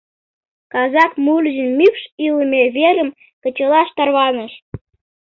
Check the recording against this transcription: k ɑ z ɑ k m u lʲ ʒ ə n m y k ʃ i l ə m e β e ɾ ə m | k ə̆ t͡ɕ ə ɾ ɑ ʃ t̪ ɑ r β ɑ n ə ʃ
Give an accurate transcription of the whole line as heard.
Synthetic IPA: k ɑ z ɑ k m u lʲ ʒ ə n m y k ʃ i l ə m e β e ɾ ə m | k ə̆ t͡ɕ ə l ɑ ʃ t̪ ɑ r β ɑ n ə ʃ